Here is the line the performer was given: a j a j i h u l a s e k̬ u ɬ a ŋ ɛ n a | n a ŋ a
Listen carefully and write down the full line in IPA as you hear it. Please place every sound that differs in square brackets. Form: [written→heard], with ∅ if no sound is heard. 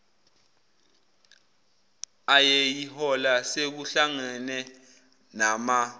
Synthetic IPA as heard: a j [a→e] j i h [u→ɔ] l a s e k̬ u ɬ a ŋ ɛ n [a→ɛ] | n a [ŋ→m] a